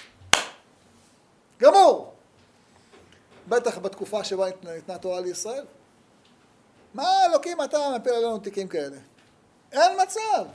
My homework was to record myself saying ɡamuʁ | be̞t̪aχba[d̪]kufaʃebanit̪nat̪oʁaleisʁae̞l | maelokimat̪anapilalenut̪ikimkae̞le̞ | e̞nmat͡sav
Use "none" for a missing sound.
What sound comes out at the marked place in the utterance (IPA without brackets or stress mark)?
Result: t̪